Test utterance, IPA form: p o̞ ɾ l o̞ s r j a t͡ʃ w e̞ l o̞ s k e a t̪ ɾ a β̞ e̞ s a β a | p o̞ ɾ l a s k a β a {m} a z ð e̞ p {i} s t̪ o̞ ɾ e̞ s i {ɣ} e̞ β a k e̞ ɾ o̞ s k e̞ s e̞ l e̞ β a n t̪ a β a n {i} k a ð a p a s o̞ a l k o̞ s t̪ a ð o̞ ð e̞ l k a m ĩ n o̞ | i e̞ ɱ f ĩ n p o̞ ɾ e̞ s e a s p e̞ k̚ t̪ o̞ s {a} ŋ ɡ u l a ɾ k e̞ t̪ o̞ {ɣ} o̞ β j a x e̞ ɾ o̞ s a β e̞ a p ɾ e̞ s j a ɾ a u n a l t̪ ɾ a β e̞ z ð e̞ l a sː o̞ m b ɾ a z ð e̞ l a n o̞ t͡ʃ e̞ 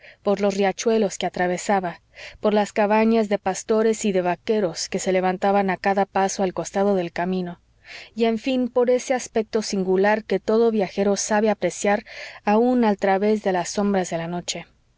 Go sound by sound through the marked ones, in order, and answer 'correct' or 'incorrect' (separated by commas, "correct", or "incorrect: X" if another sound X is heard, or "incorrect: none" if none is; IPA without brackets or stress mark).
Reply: incorrect: ɲ, incorrect: a, incorrect: ð, incorrect: a, incorrect: i, incorrect: ð